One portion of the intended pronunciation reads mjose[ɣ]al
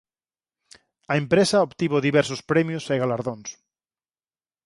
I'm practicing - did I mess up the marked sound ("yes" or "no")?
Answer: no